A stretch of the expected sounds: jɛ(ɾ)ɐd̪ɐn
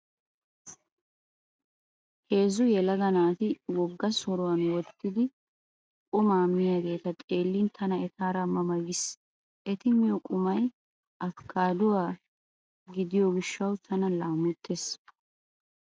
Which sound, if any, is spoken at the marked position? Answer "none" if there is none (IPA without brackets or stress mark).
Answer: l